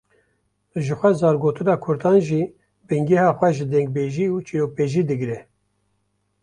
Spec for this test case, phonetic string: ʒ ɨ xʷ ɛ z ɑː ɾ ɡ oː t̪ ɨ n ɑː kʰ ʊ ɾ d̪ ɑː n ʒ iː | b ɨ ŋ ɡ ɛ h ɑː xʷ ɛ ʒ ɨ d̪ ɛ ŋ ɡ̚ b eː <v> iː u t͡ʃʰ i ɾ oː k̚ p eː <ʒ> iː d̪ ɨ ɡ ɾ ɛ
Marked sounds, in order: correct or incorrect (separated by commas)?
incorrect, correct